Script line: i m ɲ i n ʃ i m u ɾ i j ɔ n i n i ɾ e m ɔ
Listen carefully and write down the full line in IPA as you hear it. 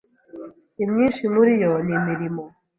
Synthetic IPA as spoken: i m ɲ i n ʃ i m u ɾ i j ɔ n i m i ɾ i m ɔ